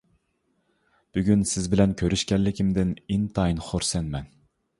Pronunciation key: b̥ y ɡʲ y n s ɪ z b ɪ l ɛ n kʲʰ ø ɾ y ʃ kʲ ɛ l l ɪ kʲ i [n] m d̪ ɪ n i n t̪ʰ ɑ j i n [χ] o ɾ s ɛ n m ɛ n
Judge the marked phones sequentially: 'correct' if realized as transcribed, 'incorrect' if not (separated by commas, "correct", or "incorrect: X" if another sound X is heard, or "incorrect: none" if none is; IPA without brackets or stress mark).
incorrect: none, correct